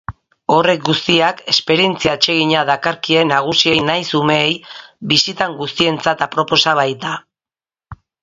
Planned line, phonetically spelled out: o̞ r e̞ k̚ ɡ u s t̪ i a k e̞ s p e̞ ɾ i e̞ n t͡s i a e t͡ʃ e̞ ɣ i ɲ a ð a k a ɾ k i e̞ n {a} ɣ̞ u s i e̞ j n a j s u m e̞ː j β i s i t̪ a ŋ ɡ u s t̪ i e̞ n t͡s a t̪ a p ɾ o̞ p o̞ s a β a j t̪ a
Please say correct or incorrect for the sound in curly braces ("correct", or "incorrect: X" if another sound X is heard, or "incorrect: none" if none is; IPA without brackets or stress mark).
correct